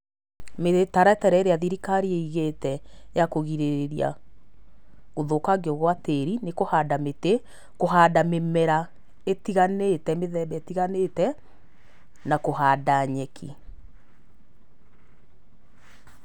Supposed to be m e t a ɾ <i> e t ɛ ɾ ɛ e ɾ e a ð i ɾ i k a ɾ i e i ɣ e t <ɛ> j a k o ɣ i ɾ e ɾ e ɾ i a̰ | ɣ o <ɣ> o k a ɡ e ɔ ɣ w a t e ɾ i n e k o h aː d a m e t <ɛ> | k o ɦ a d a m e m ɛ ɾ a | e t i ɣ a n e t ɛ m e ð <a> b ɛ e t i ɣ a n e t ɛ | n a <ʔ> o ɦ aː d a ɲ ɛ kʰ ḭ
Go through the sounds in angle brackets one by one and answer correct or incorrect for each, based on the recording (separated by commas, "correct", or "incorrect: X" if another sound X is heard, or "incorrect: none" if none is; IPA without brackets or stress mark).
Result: incorrect: a, correct, incorrect: ð, incorrect: e, incorrect: ɛ, incorrect: k